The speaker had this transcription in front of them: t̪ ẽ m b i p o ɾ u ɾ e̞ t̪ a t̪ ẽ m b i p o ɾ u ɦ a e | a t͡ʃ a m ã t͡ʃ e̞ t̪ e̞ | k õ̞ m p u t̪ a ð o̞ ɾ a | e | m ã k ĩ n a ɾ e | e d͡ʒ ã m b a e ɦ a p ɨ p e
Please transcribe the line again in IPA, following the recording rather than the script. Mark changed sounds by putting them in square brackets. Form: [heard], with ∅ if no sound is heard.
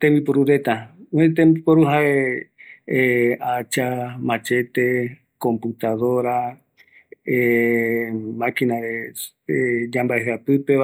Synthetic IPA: t̪ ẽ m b i p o ɾ u ɾ e̞ t̪ a t̪ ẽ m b i p o ɾ u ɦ a e | a t͡ʃ a m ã t͡ʃ e̞ t̪ e̞ | k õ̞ m p u t̪ a ð o̞ ɾ a | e | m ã k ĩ n a ɾ e | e d͡ʒ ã m b a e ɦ a p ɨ p e